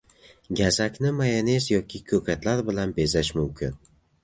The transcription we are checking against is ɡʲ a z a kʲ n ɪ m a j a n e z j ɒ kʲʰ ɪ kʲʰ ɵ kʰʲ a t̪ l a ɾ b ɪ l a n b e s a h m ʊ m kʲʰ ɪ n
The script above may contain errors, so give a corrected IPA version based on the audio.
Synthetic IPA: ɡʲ a z a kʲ n ɪ m a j a n e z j ɒ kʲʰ ɪ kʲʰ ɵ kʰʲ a t̪ l a ɾ b ɪ l a n b e z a ʃ m ʊ m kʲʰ ɪ n

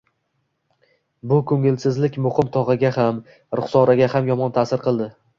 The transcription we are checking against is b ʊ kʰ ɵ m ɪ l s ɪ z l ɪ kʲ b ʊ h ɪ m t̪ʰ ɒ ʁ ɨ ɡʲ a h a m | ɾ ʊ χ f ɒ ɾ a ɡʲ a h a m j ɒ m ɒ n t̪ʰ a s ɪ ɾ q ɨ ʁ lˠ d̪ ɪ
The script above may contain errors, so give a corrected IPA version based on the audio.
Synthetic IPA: b ʊ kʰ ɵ ŋ ɪ l s ɪ z l ɪ kʲ m ʊ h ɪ m t̪ʰ ɒ ʁ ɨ ɡʲ a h a m | ɾ ʊ χ s ɒ ɾ a ɡʲ a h a m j ɒ m ɒ n t̪ʰ a s ɪ ɾ q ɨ lˠ d̪ ɪ

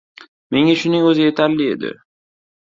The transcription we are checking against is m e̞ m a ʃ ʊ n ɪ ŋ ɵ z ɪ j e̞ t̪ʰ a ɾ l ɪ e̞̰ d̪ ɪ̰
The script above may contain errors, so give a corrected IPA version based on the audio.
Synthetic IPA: m e̞ ŋ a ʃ ʊ n ɪ ŋ ɵ z ɪ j e̞ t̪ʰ a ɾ l ɪ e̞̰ d̪ ɪ̰

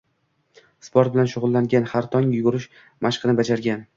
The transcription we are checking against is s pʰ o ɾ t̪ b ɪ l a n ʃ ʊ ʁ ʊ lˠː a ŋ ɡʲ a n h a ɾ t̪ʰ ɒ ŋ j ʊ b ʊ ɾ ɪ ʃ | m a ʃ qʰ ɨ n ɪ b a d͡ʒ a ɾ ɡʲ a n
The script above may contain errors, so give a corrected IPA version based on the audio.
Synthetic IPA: s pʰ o ɾ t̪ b ɪ l a n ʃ ʊ ʁ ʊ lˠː a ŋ ɡʲ a n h a ɾ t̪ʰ ɒ ŋ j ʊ ɡ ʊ ɾ ɪ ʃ | m a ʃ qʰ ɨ n ɪ b a d͡ʒ a ɾ ɡʲ a n

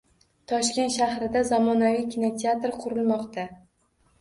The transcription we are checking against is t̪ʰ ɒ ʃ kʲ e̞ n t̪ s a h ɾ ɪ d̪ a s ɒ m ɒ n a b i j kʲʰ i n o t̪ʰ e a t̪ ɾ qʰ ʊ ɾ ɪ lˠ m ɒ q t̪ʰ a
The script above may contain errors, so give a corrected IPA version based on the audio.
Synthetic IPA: t̪ʰ ɒ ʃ kʲ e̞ n t̪ ʃ a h ɾ ɪ d̪ a z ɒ m ɒ n a v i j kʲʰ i n o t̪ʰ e a t̪ ɾ qʰ ʊ ɾ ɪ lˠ m ɒ q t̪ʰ a

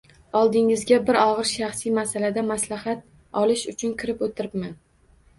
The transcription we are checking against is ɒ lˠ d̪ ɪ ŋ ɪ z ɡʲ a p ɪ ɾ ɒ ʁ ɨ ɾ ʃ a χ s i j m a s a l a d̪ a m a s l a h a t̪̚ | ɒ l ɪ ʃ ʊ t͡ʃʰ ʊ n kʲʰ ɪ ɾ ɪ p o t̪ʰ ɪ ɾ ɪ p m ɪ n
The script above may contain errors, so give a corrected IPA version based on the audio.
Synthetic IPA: ɒ lˠ d̪ ɪ ŋ ɪ z ɡʲ a b ɪ ɾ ɒ ʁ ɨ ɾ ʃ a χ s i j m a s a l a d̪ a m a s l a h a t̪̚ | ɒ l ɪ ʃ ʊ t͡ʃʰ ʊ n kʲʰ ɪ ɾ ɪ p o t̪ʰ ɪ ɾ ɪ p m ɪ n

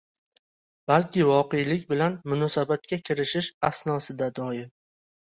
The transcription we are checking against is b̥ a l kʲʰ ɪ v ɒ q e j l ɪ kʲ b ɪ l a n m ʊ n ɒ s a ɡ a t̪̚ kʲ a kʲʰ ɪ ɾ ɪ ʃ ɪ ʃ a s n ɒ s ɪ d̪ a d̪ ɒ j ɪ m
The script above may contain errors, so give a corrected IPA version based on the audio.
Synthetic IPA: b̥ a l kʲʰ ɪ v ɒ q e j l ɪ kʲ b ɪ l a n m ʊ n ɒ s a b a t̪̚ kʲ a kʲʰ ɪ ɾ ɪ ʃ ɪ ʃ a s n ɒ s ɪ d̪ a d̪ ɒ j ɪ m

